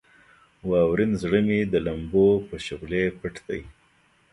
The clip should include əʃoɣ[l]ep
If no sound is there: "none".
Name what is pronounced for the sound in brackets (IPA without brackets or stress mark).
l